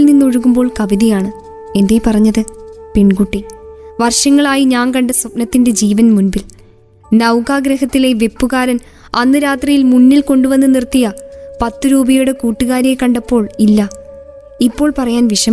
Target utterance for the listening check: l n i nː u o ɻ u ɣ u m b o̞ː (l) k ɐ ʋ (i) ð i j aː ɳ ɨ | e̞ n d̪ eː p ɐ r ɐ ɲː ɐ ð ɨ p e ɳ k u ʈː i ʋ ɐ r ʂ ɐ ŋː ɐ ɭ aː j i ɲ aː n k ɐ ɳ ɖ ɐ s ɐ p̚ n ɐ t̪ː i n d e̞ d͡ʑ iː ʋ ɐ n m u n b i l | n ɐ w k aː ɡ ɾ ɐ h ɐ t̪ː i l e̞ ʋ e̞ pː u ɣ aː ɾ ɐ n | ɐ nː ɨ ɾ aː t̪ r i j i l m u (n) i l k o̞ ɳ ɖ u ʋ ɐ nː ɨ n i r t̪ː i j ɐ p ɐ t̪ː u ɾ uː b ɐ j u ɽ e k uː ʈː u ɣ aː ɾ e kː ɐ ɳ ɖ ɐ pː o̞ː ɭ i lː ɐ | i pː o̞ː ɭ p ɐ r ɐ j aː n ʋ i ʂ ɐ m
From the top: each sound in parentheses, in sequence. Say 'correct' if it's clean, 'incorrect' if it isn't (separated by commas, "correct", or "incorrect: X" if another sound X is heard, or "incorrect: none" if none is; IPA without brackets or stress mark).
incorrect: ɭ, correct, incorrect: nː